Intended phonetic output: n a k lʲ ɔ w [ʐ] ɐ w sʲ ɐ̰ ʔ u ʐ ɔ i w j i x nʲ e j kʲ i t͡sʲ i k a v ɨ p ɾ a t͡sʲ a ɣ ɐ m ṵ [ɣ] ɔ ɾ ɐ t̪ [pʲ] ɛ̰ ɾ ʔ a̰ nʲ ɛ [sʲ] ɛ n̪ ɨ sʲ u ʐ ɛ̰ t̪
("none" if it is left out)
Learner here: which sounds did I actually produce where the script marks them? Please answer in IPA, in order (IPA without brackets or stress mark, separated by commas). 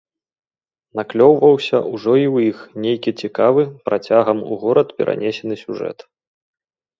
v, ɣ, pʲ, sʲ